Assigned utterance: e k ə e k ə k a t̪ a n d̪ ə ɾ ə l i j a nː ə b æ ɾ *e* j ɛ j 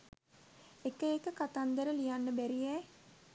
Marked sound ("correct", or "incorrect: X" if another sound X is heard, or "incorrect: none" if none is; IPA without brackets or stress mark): incorrect: i